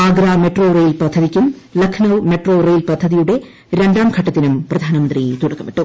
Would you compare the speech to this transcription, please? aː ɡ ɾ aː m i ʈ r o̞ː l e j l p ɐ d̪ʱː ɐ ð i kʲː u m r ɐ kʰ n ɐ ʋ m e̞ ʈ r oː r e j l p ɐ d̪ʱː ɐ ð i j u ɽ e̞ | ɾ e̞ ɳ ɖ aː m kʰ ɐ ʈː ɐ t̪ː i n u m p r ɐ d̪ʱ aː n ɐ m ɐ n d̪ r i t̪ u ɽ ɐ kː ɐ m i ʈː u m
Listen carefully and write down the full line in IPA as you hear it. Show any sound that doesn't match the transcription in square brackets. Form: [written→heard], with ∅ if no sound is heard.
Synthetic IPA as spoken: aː ɡ ɾ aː m [i→e] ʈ r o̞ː [l→r] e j l p ɐ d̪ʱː ɐ ð i kʲː u m [r→l] ɐ kʰ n ɐ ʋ m e̞ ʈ r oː r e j l p ɐ d̪ʱː ɐ ð i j u ɽ e̞ | ɾ e̞ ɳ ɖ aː m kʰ ɐ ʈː ɐ t̪ː i n u m p r ɐ d̪ʱ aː n ɐ m ɐ n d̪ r i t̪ u ɽ ɐ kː ɐ m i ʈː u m